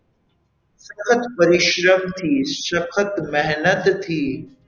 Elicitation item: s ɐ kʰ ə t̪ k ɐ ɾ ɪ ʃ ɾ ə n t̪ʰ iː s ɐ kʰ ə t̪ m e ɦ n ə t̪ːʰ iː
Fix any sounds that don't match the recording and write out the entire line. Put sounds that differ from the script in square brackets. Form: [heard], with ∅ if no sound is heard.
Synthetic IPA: s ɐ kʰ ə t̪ [p] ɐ ɾ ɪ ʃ ɾ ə [m] t̪ʰ iː s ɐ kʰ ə t̪ m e ɦ n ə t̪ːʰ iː